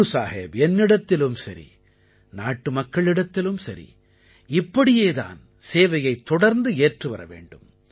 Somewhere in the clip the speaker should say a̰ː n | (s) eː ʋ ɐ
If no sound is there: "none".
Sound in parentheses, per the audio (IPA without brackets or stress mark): s